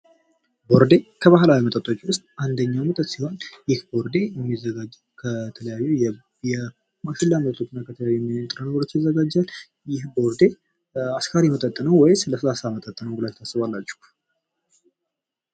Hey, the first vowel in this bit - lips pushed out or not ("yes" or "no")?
yes